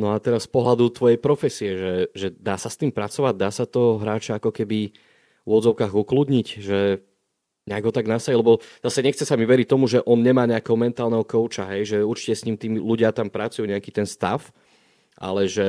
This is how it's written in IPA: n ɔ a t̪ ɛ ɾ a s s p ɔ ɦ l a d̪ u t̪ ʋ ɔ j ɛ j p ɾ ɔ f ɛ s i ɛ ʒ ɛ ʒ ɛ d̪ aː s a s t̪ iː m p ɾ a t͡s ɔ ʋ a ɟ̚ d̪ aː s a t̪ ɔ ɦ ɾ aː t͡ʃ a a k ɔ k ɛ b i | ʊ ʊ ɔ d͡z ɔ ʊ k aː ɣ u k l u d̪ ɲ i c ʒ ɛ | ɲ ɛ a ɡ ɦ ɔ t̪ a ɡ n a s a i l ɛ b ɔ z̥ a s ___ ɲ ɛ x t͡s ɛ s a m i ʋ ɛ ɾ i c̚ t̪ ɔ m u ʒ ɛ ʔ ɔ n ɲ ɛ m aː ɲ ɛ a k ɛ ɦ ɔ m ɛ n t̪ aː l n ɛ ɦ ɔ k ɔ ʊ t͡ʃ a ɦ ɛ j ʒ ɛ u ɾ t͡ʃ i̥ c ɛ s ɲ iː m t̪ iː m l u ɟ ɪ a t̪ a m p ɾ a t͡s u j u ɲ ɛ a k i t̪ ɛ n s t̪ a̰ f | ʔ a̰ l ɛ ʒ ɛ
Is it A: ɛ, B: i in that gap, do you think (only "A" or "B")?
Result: A